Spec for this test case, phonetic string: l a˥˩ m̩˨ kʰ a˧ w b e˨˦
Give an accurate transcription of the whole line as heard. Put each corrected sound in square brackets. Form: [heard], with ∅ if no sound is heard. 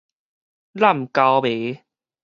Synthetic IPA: l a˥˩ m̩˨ [k] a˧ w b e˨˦

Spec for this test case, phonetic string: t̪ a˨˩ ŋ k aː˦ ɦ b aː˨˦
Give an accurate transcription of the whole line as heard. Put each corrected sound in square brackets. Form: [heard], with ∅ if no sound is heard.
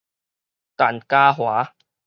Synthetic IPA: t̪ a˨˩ [n] k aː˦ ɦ [w] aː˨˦

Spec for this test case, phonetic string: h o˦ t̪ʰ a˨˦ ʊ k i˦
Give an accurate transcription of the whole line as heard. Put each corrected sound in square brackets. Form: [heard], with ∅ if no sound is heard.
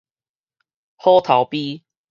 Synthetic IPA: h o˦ t̪ʰ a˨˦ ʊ [p] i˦

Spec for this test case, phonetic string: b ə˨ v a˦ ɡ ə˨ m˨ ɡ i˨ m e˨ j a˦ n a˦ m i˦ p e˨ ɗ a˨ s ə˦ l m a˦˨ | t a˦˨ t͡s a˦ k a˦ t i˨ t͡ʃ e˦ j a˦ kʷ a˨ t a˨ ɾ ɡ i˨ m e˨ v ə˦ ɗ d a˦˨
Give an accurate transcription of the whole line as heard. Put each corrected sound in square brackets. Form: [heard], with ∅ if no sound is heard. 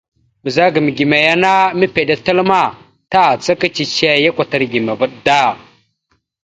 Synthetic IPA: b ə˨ [z] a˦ ɡ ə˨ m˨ ɡ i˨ m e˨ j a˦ n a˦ m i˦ p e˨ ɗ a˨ [t] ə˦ l m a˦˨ | t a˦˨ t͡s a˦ k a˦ [t͡ʃ] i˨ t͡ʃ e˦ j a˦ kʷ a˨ t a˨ ɾ ɡ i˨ m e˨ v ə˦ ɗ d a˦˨

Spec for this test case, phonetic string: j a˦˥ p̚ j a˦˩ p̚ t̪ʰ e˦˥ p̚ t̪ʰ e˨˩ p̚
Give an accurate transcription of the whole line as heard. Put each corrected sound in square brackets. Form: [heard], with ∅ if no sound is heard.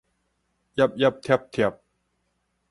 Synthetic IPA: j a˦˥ p̚ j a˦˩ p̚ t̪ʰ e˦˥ p̚ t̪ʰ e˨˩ p̚

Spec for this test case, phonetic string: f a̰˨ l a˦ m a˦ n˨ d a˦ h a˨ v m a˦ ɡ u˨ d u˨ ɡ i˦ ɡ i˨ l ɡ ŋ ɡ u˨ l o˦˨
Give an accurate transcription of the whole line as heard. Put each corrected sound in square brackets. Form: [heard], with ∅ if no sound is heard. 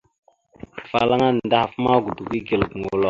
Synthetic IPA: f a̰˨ l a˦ [ŋ] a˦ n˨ d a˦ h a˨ [f] m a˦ ɡ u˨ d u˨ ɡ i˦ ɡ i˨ l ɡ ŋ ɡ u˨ l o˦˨

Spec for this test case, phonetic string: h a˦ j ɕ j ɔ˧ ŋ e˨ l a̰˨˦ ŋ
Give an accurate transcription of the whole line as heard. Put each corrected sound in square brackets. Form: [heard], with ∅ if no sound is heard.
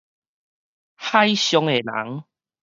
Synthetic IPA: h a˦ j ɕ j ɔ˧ ŋ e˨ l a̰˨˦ ŋ

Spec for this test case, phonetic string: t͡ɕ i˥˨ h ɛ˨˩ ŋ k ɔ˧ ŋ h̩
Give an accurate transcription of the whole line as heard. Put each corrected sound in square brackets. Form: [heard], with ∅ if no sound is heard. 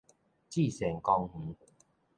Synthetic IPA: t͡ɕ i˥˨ [s] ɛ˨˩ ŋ k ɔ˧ ŋ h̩

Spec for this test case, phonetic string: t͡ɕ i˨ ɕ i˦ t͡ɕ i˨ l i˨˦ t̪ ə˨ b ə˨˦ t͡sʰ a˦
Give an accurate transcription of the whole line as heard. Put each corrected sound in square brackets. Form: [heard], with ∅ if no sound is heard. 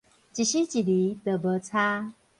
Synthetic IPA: t͡ɕ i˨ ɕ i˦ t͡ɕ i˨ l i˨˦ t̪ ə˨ b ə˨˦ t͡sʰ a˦

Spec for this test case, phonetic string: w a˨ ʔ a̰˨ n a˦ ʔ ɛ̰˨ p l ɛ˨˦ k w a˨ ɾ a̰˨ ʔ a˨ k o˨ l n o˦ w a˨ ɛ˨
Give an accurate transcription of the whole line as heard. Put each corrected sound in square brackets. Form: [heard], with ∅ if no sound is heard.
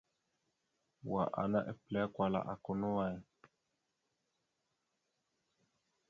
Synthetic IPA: w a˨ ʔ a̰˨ n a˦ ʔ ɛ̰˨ p l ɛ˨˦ k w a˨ [l] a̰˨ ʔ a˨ k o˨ [∅] n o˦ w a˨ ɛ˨

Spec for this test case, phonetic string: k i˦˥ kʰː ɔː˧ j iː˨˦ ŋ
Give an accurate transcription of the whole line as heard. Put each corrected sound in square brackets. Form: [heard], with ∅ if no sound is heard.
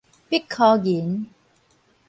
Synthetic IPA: [p] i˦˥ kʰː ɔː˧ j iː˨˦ [n]

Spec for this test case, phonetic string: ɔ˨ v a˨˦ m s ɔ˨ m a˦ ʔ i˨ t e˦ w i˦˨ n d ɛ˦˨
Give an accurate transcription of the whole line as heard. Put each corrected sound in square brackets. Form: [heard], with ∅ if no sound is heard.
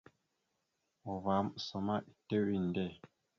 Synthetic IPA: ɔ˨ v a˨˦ m s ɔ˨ m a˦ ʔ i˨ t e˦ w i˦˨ n d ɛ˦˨

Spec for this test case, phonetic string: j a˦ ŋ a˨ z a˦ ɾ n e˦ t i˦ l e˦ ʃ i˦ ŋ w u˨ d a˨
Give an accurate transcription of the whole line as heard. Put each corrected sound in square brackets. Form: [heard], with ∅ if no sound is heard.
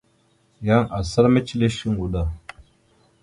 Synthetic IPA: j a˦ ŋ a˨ [s] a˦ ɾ [m] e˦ [t͡ʃ] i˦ l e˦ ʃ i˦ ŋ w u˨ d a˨

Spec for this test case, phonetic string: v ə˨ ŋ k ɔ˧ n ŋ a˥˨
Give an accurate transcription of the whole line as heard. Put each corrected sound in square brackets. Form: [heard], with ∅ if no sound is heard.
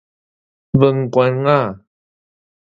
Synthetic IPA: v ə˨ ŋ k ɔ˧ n ŋ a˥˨

